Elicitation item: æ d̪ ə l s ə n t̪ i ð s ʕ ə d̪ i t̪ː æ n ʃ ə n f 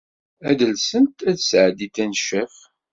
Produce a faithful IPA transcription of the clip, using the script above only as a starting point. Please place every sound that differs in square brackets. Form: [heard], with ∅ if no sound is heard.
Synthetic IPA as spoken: æ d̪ ə l s ə n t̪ [æ] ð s ʕ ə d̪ i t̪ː æ n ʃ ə [∅] f

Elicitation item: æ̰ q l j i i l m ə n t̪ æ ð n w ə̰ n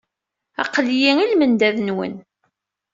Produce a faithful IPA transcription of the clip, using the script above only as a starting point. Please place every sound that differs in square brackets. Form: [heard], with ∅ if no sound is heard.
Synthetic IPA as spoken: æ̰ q l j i i l m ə n [d̪] æ ð n w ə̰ n

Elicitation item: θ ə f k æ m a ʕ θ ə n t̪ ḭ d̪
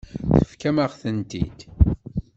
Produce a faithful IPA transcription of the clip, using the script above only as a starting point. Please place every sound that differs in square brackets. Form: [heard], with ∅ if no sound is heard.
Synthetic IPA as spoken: θ ə f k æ m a [ʁ] θ ə n t̪ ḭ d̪

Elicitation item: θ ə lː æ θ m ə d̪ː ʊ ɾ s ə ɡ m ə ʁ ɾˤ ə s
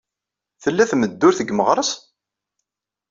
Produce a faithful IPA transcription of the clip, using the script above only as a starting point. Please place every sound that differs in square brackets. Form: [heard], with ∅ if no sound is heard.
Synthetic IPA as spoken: θ ə lː æ θ m ə d̪ː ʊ ɾ [θ] ə ɡ m ə ʁ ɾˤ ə s

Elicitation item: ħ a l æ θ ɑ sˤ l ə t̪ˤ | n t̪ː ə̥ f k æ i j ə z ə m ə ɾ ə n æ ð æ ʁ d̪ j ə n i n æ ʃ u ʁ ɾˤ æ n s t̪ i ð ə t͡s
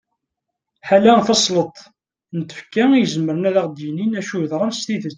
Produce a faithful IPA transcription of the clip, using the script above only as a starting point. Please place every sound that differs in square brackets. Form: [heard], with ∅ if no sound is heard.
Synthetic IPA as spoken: ħ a l æ θ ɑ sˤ l ə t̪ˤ | n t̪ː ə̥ f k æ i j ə z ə m ə ɾ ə n æ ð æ ʁ d̪ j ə n i n æ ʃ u [ð] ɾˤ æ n s t̪ i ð ə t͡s

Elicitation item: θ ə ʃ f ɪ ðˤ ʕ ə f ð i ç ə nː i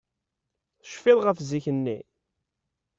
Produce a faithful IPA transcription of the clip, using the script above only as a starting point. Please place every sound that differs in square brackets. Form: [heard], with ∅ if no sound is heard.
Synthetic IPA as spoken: θ ə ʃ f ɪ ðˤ [ʁ] ə f [z] i ç ə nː i

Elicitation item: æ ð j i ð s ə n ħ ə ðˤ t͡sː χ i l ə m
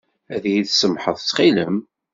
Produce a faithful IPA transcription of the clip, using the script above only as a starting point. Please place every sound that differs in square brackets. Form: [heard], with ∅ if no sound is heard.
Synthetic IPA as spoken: æ ð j i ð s ə [m] ħ ə ðˤ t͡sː χ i l ə m

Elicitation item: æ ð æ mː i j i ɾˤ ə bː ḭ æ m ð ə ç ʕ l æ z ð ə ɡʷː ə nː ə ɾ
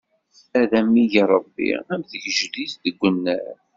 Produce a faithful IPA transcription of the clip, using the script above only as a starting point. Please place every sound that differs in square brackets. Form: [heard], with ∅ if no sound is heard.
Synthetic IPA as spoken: æ ð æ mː i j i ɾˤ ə bː ḭ æ m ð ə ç [ʒ] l [i] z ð ə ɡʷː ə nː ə ɾ

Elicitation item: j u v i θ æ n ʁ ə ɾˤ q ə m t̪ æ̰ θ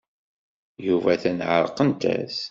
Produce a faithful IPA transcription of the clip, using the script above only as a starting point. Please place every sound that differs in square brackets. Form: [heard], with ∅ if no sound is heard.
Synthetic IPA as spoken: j u v [æ] θ æ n [ʕ] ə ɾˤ q ə [n] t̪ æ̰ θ

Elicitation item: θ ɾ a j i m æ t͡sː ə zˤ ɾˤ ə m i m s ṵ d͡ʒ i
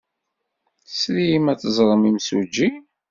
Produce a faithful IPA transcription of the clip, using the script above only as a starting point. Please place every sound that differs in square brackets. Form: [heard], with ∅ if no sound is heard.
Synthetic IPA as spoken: [s] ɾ [i] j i m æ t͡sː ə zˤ ɾˤ ə m i m s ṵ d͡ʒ i

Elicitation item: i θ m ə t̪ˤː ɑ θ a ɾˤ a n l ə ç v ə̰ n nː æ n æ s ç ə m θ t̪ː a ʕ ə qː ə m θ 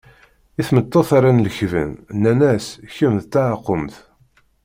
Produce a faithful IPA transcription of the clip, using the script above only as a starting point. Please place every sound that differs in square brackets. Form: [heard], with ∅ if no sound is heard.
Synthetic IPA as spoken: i θ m ə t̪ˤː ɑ θ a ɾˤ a n l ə ç v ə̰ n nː æ n æ s ç ə m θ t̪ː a ʕ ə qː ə m θ

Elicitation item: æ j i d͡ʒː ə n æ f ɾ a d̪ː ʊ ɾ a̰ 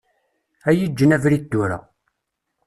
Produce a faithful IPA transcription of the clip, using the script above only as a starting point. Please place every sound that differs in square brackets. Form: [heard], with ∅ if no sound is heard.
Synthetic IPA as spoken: æ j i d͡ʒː ə n æ [v] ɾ [i] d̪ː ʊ ɾ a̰

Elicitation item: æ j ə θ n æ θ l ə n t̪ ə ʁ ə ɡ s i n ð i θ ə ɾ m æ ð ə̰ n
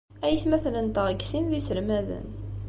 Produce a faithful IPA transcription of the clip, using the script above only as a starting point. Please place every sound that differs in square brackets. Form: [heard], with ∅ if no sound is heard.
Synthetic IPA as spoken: æ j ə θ [m] æ θ l ə n t̪ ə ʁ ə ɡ s i n ð i [s] ə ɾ m æ ð ə̰ n

